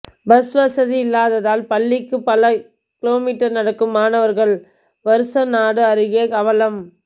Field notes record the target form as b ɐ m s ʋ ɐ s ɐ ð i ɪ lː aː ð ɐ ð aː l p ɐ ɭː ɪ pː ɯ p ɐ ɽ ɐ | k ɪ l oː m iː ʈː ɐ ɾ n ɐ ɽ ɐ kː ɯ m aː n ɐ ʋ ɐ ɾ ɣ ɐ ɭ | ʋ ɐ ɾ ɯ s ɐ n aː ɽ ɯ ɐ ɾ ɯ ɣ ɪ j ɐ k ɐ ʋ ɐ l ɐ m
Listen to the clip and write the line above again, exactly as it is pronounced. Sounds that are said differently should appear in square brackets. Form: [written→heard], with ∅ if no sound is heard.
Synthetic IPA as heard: b ɐ [m→∅] s ʋ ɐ s ɐ ð i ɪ lː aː ð ɐ ð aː l p ɐ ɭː ɪ [pː→kː] ɯ p ɐ [ɽ→l] ɐ | k ɪ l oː m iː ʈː ɐ ɾ n ɐ ɽ ɐ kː ɯ m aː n ɐ ʋ ɐ ɾ ɣ ɐ ɭ | ʋ ɐ ɾ ɯ s ɐ n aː ɽ ɯ ɐ ɾ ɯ ɣ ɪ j ɐ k ɐ ʋ ɐ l ɐ m